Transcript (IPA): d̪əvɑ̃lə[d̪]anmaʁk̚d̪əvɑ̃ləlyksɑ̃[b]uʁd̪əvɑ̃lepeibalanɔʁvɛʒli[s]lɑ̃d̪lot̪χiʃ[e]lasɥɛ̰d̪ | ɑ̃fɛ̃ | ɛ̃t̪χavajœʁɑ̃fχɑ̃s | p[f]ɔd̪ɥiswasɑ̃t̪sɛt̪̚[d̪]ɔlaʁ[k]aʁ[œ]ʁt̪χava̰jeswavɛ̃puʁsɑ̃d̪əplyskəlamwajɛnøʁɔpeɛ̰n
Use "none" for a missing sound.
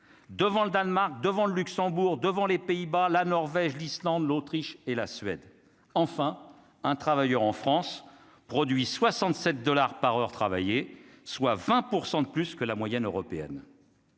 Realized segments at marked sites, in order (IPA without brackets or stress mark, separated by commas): d̪, b, s, e, χ, d̪, p, œ